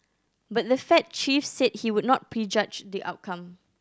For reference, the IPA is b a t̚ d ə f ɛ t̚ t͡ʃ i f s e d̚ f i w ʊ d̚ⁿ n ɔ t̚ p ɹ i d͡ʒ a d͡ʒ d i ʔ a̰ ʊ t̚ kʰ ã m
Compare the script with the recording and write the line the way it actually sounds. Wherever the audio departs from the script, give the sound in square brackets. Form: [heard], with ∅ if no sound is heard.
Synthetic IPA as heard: b a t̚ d ə f ɛ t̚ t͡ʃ i f s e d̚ [h] i w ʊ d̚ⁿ n ɔ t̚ p ɹ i d͡ʒ a d͡ʒ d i ʔ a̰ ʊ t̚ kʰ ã m

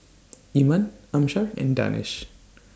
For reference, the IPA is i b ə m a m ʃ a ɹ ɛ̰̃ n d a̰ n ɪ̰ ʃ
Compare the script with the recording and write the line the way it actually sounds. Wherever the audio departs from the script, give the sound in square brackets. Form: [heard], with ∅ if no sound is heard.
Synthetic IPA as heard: i [m] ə [n] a m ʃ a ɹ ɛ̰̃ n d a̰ n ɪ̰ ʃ

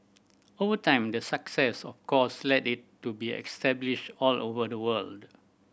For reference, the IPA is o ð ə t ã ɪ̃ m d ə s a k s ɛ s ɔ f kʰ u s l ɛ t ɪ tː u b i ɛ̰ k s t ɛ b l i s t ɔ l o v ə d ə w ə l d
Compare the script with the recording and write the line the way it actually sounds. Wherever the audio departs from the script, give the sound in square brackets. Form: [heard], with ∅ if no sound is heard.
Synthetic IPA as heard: o [v] ə t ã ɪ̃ m d ə s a k s ɛ s ɔ f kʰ [ɔ] s l ɛ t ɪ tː u b i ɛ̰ k s t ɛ b l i [ʃ] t ɔ l o v ə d ə w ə l d

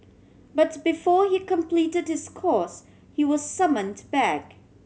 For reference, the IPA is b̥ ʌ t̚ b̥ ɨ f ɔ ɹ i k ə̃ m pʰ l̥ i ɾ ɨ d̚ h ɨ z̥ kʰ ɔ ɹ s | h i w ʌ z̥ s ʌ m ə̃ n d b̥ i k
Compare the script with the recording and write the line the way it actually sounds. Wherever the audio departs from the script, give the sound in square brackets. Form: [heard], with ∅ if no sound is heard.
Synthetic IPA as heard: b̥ ʌ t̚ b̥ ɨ f ɔ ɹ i k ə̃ m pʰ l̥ i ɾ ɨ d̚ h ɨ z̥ kʰ ɔ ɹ s | h i w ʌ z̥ s ʌ m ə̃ n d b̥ [æ] k

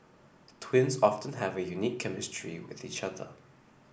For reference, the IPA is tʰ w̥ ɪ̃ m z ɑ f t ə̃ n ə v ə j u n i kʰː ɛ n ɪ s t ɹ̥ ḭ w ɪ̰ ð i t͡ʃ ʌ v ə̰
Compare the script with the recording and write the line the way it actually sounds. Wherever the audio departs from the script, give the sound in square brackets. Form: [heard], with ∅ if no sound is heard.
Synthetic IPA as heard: tʰ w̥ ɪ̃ [n] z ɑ f t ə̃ n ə v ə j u n i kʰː ɛ [m] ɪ s t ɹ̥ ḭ w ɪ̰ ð i t͡ʃ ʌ [ð] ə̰

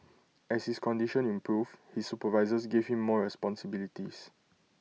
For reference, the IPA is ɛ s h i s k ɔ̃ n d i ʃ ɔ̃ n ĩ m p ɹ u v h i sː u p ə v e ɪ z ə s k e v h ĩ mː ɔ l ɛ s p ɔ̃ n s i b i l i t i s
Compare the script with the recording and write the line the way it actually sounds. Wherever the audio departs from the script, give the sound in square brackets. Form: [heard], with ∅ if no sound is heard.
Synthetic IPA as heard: ɛ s h i s k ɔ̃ n d i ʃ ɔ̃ n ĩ m p ɹ u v h i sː u p ə v [a] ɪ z ə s [ɡ] e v h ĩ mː ɔ [ɹ] ɛ s p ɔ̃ n s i b i l i t i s

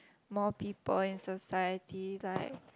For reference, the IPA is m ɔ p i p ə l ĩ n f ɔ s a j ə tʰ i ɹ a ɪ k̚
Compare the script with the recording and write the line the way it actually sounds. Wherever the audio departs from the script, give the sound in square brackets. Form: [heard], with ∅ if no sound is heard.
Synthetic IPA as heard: m ɔ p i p ə l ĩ n [s] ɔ s a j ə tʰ i [l] a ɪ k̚

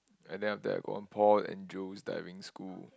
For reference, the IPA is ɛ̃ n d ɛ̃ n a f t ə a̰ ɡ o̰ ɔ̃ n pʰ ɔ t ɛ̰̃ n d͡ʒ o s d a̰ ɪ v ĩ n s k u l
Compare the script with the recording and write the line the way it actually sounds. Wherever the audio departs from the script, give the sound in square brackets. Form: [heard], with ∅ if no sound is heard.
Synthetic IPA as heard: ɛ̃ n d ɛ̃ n a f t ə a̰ ɡ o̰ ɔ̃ n pʰ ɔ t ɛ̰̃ n d͡ʒ o s d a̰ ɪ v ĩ [ŋ] s k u l

